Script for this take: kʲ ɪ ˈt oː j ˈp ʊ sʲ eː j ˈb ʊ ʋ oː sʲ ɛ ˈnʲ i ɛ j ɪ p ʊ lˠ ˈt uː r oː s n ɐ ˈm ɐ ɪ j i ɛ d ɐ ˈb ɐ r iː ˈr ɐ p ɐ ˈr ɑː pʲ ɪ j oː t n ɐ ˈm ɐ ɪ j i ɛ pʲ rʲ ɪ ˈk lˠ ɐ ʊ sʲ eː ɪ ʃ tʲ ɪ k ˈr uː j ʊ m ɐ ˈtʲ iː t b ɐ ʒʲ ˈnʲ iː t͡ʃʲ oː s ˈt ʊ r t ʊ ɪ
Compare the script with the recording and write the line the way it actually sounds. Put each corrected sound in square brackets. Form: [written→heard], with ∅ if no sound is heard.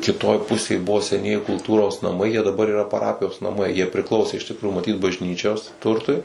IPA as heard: kʲ ɪ ˈt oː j ˈp ʊ sʲ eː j ˈb ʊ ʋ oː sʲ ɛ ˈnʲ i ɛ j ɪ [p→k] ʊ lˠ ˈt uː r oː s n ɐ ˈm ɐ ɪ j i ɛ d ɐ ˈb ɐ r iː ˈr ɐ p ɐ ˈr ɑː pʲ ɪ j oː [t→s] n ɐ ˈm ɐ ɪ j i ɛ pʲ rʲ ɪ ˈk lˠ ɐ ʊ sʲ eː ɪ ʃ tʲ ɪ k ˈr uː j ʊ m ɐ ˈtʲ iː t b ɐ ʒʲ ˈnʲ iː t͡ʃʲ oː s ˈt ʊ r t ʊ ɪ